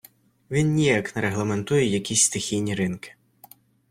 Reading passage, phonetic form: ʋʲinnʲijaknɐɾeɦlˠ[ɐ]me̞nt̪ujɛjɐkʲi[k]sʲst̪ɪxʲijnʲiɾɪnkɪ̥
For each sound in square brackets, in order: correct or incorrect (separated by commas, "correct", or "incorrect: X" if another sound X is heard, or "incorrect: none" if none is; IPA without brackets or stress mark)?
correct, incorrect: none